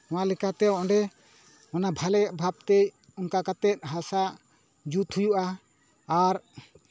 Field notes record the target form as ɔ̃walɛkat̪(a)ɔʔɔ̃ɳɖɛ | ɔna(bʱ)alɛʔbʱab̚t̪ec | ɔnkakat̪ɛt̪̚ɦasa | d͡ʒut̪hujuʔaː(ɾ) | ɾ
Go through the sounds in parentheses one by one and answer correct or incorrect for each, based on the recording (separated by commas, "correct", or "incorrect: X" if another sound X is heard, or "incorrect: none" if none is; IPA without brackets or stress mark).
incorrect: ɛ, correct, incorrect: none